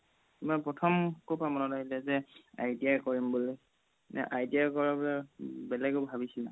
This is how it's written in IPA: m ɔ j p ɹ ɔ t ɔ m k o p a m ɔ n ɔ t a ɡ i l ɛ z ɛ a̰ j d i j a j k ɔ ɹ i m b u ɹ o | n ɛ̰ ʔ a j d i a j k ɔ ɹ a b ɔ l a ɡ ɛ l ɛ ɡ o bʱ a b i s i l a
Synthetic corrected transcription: m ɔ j p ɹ ɔ tʰ ɔ m k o p a m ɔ n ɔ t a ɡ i l ɛ z ɛ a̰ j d i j a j k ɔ ɹ i m b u l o | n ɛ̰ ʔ a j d i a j k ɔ ɹ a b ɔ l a b ɛ l ɛ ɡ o bʱ a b i s i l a